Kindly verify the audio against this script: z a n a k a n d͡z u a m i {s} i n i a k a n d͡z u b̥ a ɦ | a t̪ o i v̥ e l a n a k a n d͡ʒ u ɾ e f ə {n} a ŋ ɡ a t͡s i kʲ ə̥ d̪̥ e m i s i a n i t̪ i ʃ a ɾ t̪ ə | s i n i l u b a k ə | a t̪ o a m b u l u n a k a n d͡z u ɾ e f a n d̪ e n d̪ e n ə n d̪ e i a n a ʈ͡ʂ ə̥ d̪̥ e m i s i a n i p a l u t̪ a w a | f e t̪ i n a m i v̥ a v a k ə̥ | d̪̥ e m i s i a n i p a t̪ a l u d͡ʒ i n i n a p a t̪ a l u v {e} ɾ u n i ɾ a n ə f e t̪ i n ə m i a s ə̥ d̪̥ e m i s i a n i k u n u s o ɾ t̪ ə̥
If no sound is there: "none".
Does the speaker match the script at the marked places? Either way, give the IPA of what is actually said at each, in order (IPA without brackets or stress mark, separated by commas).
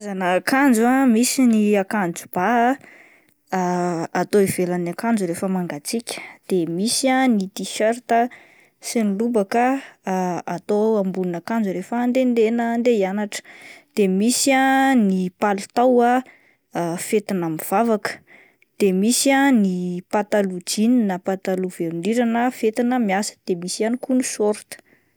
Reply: s, m, e